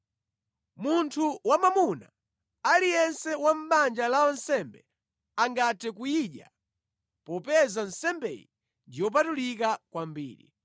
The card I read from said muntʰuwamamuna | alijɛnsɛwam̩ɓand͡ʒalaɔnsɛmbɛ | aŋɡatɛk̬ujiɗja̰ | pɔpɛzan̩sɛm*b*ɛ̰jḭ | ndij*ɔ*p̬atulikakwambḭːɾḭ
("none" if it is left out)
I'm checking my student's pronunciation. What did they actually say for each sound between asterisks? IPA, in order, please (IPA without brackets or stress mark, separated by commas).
b, ɔ